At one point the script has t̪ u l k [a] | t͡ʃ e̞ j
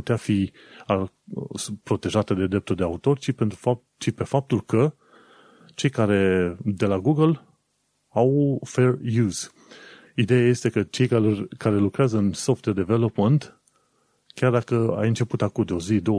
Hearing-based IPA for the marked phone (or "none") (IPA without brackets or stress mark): ə